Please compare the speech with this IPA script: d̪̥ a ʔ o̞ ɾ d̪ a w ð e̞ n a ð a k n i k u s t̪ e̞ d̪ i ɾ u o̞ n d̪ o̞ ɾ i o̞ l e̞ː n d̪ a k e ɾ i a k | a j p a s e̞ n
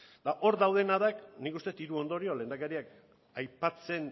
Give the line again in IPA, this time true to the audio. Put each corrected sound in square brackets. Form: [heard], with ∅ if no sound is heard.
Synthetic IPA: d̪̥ a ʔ o̞ ɾ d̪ a w ð e̞ n a ð a k n i k u s t̪ e̞ [t̪] i ɾ u o̞ n d̪ o̞ ɾ i o̞ l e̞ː n d̪ a k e ɾ i a k | a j p a [t͡s] e̞ n